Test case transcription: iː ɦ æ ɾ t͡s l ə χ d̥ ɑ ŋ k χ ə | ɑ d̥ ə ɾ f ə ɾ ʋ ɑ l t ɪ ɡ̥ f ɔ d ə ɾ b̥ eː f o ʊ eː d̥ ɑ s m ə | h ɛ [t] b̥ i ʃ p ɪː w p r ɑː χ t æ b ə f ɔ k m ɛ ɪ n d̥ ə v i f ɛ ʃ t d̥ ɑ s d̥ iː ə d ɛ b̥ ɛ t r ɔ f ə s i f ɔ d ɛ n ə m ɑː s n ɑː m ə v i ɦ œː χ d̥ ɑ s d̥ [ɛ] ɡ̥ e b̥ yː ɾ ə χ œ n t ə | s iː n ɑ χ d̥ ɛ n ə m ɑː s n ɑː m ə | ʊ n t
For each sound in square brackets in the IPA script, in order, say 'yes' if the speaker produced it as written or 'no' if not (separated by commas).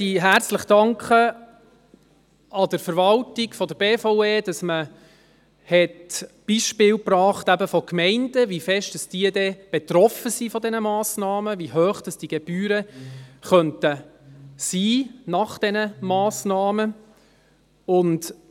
yes, no